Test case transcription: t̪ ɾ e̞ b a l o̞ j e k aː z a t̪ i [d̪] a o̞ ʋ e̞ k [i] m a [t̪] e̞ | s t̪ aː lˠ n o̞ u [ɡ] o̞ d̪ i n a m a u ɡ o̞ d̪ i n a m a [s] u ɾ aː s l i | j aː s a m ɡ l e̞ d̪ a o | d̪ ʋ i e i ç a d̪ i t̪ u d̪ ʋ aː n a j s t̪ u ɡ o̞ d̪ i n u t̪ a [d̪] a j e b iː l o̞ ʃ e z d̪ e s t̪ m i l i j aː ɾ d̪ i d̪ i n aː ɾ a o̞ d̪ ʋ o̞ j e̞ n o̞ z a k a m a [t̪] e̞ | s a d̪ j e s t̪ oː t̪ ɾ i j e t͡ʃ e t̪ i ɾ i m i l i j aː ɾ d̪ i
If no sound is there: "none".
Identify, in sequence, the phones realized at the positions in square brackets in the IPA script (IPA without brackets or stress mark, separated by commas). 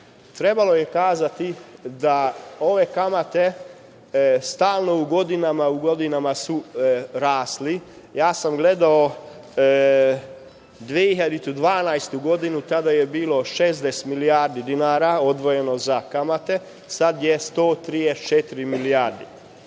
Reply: d̪, a, t̪, ɡ, s, d̪, t̪